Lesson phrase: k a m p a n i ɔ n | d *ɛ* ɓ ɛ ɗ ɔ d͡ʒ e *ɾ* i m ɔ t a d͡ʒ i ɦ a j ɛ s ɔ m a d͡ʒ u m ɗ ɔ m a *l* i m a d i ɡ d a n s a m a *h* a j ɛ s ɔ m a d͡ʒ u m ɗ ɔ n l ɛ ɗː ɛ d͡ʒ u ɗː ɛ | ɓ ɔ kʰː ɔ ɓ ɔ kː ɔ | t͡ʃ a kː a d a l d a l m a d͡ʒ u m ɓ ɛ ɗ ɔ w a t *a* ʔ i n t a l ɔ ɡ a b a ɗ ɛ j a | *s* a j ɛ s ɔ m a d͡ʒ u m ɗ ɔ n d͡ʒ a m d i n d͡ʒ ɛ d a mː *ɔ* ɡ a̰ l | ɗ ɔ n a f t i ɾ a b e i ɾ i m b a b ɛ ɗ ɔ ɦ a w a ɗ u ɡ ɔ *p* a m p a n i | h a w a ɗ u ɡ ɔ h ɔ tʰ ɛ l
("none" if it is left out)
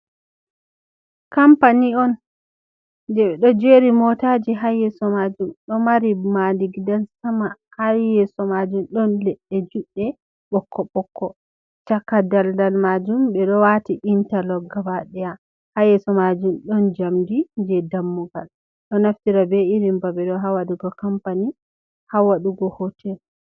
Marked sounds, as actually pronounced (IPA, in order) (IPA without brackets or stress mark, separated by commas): ɛ, ɾ, ɾ, h, i, h, u, k